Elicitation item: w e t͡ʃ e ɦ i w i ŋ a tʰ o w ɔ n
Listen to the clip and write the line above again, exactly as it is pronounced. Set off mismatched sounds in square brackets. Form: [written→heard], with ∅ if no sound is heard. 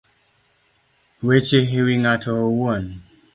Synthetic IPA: w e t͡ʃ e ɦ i w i ŋ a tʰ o w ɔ n